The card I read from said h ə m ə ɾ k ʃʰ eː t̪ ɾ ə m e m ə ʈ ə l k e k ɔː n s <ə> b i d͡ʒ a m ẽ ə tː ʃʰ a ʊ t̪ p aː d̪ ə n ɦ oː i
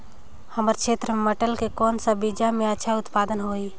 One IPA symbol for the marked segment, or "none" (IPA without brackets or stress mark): a